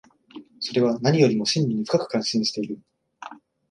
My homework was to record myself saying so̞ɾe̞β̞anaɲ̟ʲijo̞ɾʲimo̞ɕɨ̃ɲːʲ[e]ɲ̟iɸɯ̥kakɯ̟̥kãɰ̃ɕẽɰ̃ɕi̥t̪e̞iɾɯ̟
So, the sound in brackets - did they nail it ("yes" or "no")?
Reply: no